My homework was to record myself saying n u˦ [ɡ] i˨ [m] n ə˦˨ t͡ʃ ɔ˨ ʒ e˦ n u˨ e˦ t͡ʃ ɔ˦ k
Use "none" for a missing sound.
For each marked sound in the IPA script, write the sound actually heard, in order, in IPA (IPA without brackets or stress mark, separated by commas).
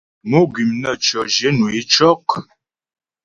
ɡ, m